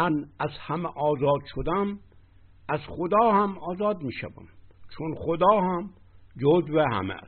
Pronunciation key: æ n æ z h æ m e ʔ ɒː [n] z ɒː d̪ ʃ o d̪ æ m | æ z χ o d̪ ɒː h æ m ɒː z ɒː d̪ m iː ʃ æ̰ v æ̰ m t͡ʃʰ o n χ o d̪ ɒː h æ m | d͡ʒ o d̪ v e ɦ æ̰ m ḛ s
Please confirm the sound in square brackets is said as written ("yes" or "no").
no